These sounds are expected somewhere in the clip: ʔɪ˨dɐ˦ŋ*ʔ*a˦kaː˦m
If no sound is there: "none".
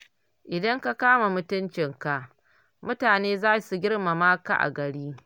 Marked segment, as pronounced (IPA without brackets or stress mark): k